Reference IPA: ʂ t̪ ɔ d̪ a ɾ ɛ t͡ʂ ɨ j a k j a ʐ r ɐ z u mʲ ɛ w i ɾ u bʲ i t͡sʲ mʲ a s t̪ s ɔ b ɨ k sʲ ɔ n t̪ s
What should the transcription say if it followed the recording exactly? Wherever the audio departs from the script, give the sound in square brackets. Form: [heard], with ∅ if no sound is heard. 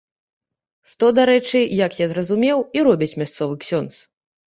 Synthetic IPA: ʂ t̪ ɔ d̪ a ɾ ɛ t͡ʂ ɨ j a k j a [z] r ɐ z u mʲ ɛ w i ɾ [ɔ] bʲ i t͡sʲ mʲ a s t̪ s ɔ [v] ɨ k sʲ ɔ n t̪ s